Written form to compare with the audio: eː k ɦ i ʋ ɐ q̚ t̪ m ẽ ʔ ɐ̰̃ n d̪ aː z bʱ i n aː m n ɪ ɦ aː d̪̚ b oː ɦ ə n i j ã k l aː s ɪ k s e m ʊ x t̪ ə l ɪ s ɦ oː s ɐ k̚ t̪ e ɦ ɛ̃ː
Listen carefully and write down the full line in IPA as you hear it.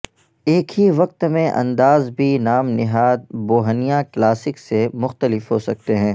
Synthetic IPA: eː k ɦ i ʋ ɐ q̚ t̪ m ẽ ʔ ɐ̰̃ n d̪ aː z bʱ i n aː m n ɪ ɦ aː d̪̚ b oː ɦ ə n i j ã k l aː s ɪ k s e m ʊ x t̪ ə l ɪ f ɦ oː s ɐ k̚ t̪ e ɦ ɛ̃ː

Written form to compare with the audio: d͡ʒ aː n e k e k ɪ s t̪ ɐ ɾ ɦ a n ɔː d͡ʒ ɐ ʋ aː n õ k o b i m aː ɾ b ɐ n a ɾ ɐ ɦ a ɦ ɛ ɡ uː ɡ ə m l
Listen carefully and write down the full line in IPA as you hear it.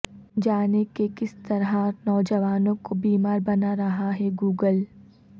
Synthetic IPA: d͡ʒ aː n e k e k ɪ s t̪ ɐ ɾ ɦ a n ɔː d͡ʒ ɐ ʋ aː n õ k o b iː m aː ɾ b ɐ n a ɾ ɐ ɦ a ɦ ɛ ɡ uː ɡ ə l

